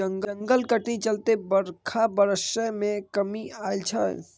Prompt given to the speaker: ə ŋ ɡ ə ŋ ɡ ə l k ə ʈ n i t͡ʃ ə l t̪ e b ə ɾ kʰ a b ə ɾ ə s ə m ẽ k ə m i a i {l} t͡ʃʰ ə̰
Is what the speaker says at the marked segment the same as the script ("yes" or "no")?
yes